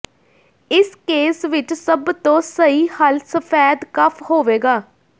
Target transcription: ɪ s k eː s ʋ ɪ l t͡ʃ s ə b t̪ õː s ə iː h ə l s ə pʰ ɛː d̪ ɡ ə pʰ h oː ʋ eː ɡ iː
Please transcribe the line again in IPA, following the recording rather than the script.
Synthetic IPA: ɪ s k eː s ʋ ɪ t͡ʃ s ə b t̪ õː s ə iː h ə l s ə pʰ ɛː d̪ k ə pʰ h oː ʋ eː ɡ aː

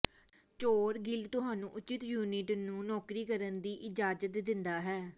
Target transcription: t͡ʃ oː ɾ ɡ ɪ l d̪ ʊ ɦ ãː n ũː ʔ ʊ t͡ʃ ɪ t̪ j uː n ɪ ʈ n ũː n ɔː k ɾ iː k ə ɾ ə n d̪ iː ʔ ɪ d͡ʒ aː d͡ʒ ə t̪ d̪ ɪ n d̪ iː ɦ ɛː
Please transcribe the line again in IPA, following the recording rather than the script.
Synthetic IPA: t͡ʃ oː ɾ ɡ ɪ l t̪ ʊ ɦ aː n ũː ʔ ʊ t͡ʃ ɪ t̪ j uː n ɪ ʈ n ũː n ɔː k ɾ iː k ə ɾ ə n d̪ iː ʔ ɪ d͡ʒ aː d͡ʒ ə t̪ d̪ ɪ n d̪ aː ɦ ɛː

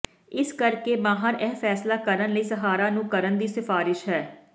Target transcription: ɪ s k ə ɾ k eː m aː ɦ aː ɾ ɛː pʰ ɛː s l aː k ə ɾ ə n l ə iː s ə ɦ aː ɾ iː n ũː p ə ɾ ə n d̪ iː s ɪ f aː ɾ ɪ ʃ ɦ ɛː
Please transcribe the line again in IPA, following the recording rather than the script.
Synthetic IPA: ɪ s k ə ɾ k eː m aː ɦ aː ɾ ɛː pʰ ɛː s l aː k ə ɾ ə n l ə iː s ə ɦ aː ɾ aː n ũː k ə ɾ ə n d̪ iː s ɪ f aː ɾ ɪ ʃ ɦ ɛː

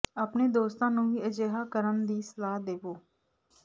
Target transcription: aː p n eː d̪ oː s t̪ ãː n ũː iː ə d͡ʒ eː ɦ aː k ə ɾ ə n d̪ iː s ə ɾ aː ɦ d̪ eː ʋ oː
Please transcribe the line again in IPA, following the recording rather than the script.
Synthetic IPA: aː p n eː d̪ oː s t̪ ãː n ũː iː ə d͡ʒ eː ɦ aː k ə ɾ ə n d̪ iː s ə l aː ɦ d̪ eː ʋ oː

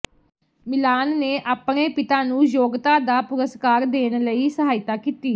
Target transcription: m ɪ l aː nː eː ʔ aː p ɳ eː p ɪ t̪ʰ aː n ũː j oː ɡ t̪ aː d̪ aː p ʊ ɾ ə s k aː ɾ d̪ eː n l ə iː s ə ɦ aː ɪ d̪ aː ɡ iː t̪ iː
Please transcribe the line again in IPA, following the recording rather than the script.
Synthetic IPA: m ɪ l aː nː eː ʔ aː p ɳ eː p ɪ t̪ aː n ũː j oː ɡ t̪ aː d̪ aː p ʊ ɾ ə s k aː ɾ d̪ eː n l ə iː s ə ɦ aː ɪ t̪ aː k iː t̪ iː

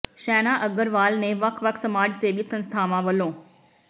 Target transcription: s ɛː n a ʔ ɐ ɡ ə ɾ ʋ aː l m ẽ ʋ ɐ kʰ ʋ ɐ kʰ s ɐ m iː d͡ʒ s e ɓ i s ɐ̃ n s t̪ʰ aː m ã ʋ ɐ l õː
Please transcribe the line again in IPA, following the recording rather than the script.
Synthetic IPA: ʃ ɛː n a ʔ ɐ ɡ ə ɾ ʋ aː l n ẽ ʋ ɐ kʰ ʋ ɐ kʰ s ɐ m aː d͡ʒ s e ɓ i s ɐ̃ n s t̪ʰ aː m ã ʋ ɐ l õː

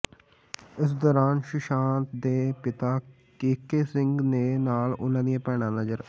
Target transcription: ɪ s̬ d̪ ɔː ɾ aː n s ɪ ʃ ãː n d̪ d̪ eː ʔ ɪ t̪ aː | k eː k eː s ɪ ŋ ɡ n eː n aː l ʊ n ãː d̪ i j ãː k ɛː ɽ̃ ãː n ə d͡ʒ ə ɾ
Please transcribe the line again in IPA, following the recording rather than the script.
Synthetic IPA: ɪ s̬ d̪ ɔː ɾ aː n ʃ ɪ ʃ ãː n t̪ d̪ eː p ɪ t̪ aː | k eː k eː s ɪ ŋ ɡ n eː n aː l ʊ n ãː d̪ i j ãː p ɛː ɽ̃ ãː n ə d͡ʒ ə ɾ

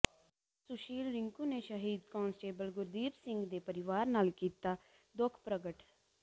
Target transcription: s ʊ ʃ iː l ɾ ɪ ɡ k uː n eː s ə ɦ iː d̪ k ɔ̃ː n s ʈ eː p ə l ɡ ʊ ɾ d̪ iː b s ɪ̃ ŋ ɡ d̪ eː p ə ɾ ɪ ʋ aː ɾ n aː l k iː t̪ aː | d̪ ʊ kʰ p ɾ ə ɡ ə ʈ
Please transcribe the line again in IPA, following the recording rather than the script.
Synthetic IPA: s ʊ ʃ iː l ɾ ɪ ŋ k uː n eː ʃ ə ɦ iː d̪ k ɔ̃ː n s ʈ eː b ə l ɡ ʊ ɾ d̪ iː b s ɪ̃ ŋ ɡ d̪ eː p ə ɾ ɪ ʋ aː ɾ n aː l k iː t̪ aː | d̪ ʊ kʰ p ɾ ə ɡ ə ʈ

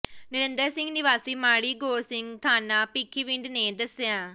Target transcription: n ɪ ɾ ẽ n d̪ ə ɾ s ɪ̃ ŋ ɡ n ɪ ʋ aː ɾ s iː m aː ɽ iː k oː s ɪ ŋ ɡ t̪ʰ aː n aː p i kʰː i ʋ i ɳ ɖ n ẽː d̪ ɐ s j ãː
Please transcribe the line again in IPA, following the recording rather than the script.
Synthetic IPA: n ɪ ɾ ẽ n d̪ ə ɾ s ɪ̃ ŋ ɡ n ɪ ʋ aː s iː m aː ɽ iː ɡ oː s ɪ ŋ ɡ t̪ʰ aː n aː p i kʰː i ʋ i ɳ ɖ n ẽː d̪ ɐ s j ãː

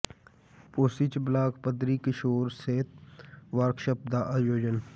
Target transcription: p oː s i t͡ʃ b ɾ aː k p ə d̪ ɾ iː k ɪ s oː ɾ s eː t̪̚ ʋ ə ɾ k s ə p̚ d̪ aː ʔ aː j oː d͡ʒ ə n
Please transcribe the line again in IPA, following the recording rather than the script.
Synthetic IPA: p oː s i t͡ʃ b l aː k p ə d̪ ɾ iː k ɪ ʃ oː ɾ s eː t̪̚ ʋ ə ɾ k ʃ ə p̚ d̪ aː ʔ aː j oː d͡ʒ ə n

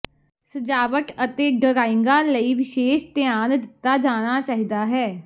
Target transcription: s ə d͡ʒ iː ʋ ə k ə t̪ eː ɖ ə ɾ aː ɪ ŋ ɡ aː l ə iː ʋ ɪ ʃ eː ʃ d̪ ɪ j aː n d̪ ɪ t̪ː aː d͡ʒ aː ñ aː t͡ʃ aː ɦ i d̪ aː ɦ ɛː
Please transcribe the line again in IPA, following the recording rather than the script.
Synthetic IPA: s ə d͡ʒ aː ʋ ə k ə t̪ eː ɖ ə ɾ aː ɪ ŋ ɡ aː l ə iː ʋ ɪ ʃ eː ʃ t̪ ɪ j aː n d̪ ɪ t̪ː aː d͡ʒ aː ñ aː t͡ʃ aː ɦ i d̪ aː ɦ ɛː

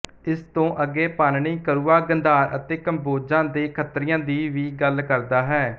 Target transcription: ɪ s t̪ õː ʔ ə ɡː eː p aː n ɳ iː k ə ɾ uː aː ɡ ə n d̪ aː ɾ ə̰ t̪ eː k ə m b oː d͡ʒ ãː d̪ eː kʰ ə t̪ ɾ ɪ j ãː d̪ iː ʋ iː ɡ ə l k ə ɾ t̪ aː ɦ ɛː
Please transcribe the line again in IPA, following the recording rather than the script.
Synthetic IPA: ɪ s t̪ õː ʔ ə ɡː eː p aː n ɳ iː k ə ɾ uː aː ɡ ə n d̪ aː ɾ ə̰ t̪ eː k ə m b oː d͡ʒ ãː d̪ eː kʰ ə t̪ ɾ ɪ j ãː d̪ iː ʋ iː ɡ ə l k ə ɾ d̪ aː ɦ ɛː

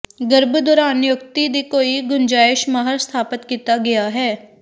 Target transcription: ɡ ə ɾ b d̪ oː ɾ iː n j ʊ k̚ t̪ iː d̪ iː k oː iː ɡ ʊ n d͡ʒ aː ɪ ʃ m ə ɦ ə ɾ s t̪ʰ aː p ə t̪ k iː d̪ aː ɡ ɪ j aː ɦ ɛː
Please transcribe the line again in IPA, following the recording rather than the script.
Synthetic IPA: ɡ ə ɾ b d̪ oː ɾ aː n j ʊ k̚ t̪ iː d̪ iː k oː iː ɡ ʊ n d͡ʒ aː ɪ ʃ m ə ɦ ə ɾ s t̪ʰ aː p ə t̪ k iː t̪ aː ɡ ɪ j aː ɦ ɛː

